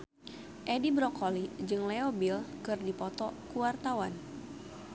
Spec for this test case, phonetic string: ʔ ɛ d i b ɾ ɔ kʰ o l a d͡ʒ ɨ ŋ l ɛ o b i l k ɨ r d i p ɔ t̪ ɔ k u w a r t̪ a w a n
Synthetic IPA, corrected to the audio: ʔ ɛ d i b ɾ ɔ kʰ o l i d͡ʒ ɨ ŋ l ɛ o b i l k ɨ r d i p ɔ t̪ ɔ k u w a r t̪ a w a n